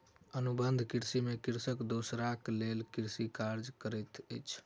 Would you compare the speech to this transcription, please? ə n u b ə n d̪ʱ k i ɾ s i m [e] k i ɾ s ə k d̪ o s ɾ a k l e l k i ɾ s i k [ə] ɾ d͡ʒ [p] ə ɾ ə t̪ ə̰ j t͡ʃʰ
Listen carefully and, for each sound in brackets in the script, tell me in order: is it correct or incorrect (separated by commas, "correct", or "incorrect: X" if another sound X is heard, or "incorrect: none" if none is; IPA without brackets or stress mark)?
correct, incorrect: a, incorrect: k